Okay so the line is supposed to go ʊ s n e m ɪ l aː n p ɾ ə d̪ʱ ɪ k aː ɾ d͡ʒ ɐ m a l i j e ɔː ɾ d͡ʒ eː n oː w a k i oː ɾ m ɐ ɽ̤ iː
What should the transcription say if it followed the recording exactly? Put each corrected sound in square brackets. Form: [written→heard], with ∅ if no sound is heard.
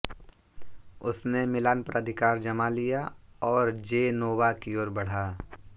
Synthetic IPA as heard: ʊ s n e m ɪ l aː n p ɾ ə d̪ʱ ɪ k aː ɾ d͡ʒ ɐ m a l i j [e→a] ɔː ɾ d͡ʒ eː n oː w a k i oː ɾ [m→b] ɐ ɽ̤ [iː→aː]